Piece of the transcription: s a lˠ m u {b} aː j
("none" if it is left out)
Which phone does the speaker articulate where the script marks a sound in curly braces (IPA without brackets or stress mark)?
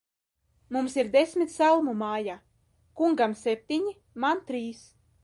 m